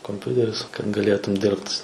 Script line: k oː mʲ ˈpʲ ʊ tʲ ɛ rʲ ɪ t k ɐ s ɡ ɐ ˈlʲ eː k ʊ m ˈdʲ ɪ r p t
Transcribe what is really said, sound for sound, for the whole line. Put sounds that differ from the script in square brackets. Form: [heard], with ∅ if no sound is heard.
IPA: k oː mʲ ˈpʲ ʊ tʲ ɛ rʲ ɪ [s] k ɐ [t] ɡ ɐ ˈlʲ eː [t] ʊ m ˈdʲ ɪ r p t